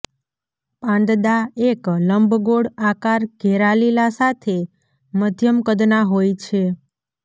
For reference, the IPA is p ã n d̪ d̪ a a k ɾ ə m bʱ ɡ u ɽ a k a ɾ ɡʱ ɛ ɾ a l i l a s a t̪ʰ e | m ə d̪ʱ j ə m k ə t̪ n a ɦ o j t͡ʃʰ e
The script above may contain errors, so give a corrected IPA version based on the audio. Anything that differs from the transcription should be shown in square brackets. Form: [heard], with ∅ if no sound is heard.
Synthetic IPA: p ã n d̪ d̪ a [e] k [l] ə m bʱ ɡ [o] ɽ a k a ɾ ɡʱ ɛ ɾ a l i l a s a t̪ʰ e | m ə d̪ʱ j ə m k ə [d̪] n a ɦ o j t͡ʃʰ e